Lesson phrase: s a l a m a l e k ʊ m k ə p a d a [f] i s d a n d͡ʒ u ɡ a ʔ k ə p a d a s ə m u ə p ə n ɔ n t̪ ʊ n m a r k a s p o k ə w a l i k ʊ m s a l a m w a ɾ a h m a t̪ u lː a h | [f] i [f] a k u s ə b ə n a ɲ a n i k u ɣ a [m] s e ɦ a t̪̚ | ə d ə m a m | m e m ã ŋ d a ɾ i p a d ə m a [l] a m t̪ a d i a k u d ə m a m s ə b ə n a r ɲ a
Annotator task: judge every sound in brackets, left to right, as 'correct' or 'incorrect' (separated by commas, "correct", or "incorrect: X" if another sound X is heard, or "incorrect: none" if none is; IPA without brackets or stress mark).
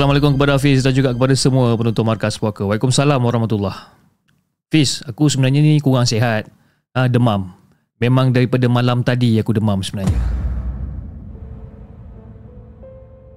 correct, correct, incorrect: s, incorrect: ŋ, correct